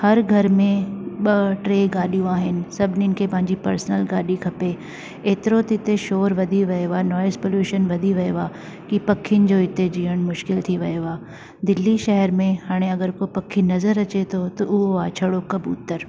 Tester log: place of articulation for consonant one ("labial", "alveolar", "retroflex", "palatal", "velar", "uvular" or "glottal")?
glottal